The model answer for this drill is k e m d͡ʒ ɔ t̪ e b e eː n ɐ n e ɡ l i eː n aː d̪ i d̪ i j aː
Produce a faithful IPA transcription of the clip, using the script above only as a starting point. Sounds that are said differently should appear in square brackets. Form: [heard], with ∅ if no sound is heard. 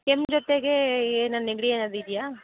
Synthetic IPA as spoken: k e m d͡ʒ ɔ t̪ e [ɡ] e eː n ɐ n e ɡ [ɽ] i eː n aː d̪ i d̪ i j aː